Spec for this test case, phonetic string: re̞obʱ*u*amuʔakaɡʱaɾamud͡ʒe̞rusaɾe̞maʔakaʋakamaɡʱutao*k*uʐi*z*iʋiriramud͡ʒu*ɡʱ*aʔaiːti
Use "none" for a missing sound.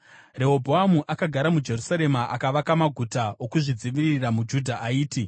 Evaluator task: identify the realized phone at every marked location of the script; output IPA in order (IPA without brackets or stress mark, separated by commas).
o, k, d͡z, dʱ